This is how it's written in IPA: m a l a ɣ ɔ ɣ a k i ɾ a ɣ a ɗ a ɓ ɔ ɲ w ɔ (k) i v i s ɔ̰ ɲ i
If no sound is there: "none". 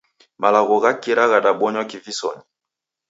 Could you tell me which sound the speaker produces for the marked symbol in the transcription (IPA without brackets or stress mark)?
k